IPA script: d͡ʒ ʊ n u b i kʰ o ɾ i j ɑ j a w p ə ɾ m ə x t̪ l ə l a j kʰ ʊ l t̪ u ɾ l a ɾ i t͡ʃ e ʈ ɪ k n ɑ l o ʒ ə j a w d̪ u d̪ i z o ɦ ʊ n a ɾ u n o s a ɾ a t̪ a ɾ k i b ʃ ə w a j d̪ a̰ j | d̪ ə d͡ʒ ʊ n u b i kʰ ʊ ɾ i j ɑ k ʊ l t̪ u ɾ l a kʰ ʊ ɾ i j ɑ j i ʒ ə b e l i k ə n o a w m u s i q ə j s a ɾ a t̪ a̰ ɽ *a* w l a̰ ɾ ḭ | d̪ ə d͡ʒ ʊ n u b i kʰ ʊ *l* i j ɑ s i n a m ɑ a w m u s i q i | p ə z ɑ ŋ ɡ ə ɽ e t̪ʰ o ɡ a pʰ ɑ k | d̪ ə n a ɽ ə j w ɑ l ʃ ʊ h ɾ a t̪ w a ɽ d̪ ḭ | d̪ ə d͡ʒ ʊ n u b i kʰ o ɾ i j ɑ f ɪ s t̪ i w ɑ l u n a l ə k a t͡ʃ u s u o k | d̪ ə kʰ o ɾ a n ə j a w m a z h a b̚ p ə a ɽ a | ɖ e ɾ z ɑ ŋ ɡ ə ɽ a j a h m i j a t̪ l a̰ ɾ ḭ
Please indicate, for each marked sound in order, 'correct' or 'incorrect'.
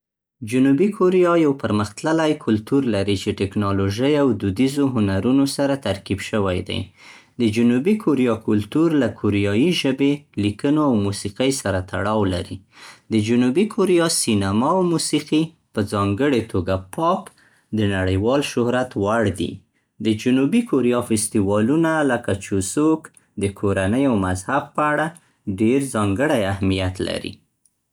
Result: incorrect: ɑ, incorrect: ɾ

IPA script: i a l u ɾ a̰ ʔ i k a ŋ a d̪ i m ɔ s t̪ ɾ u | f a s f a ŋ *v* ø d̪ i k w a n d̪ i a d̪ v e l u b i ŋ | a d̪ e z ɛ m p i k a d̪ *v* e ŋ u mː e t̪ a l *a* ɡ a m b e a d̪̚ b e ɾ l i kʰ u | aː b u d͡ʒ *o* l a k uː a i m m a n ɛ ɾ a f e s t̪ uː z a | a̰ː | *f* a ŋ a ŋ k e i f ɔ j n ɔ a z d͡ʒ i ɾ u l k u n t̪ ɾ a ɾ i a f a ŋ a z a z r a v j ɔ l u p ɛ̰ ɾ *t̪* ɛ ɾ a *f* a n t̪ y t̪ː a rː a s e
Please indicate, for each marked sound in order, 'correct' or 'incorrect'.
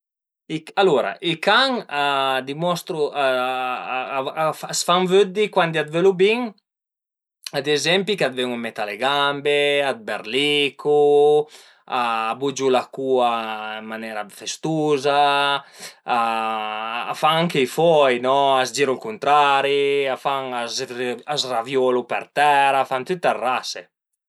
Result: correct, correct, incorrect: e, incorrect: u, correct, correct, correct

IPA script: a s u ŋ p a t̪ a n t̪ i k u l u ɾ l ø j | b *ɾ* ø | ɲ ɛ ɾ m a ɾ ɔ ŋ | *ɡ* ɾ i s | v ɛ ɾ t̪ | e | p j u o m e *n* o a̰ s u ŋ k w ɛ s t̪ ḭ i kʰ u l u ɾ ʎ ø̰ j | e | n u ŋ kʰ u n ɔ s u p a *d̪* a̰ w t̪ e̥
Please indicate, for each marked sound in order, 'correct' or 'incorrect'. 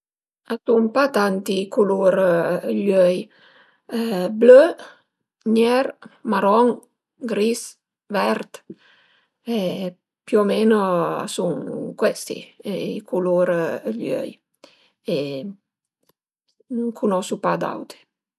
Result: incorrect: l, correct, correct, correct

